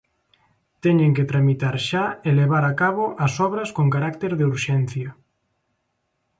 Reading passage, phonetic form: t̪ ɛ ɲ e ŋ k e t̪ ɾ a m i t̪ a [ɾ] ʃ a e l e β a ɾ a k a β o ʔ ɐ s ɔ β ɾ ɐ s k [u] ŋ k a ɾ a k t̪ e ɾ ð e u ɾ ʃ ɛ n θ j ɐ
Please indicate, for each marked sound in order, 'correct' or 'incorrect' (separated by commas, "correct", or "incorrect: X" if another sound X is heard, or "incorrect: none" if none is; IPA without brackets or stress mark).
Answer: correct, incorrect: o